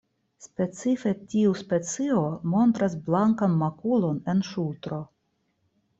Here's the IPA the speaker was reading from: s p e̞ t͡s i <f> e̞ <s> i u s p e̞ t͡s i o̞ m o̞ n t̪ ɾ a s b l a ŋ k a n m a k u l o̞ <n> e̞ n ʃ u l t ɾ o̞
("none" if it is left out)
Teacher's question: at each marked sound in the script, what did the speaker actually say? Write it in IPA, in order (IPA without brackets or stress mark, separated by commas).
f, t, n